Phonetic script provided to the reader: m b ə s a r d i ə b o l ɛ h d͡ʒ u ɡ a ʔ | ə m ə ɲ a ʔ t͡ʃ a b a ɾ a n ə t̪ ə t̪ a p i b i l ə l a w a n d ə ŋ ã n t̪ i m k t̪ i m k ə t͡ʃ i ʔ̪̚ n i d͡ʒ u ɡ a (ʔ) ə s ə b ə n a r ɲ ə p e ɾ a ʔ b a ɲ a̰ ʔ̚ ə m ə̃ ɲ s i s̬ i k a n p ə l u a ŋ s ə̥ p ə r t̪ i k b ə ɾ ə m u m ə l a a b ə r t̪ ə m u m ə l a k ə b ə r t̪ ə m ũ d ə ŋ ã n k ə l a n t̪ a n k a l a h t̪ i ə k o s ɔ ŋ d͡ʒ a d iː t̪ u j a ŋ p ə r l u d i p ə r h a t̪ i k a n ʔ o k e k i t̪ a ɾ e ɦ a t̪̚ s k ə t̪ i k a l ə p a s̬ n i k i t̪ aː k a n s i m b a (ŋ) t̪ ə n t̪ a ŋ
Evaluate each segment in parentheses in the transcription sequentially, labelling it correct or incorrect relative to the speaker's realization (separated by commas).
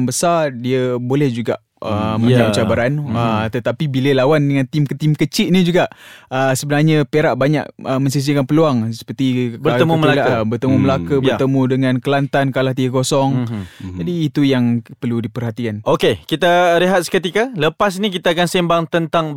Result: correct, correct